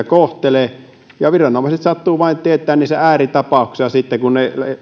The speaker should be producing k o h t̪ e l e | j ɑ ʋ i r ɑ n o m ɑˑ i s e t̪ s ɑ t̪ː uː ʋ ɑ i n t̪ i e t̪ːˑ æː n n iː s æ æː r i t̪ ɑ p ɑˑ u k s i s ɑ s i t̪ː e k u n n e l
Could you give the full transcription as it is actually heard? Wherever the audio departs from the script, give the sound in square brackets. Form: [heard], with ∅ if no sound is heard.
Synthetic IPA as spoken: k o h t̪ e l e | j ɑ ʋ i r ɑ n o m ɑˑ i s e t̪ s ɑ t̪ː uː ʋ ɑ i n t̪ i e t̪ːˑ æː n n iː s æ æː r i t̪ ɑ p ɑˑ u k s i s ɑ s i t̪ː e k u n n e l